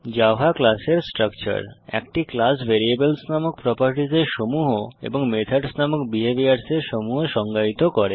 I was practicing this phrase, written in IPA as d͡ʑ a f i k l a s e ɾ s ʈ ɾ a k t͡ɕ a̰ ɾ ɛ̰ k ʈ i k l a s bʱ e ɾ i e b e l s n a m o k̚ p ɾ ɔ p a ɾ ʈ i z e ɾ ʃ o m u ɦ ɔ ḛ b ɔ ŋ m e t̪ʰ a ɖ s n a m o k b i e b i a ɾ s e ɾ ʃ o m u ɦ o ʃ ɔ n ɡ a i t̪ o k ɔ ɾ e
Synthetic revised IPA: d͡ʑ a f a k l a s e ɾ s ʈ ɾ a k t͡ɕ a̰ ɾ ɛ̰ k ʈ i k l a s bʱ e ɾ i e b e l s n a m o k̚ p ɾ ɔ p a ɾ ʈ i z e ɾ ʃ o m u ɦ o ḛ b o ŋ m e t̪ʰ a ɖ s n a m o k b i e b i a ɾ s e ɾ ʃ o m u ɦ o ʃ ɔ ŋ ɡ a i t̪ o k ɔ ɾ e